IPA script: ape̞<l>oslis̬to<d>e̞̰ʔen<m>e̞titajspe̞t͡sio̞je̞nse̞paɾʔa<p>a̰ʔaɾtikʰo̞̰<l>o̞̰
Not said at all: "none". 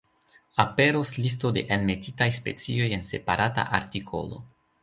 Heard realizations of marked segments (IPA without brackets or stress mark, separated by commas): ɾ, d, m, t, l